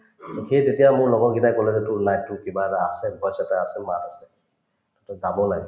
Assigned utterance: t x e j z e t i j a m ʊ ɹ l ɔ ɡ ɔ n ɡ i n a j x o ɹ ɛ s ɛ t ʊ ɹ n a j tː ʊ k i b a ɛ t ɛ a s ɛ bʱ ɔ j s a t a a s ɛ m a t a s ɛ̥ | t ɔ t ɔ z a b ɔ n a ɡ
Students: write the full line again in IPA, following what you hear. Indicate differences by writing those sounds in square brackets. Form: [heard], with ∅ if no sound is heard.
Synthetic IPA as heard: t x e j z e t i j a m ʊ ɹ l ɔ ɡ ɔ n ɡ i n a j [k] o [l] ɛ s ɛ t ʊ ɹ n a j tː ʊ k i b a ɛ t [a] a s ɛ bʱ ɔ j s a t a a s ɛ m a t a s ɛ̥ | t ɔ t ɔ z a b ɔ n a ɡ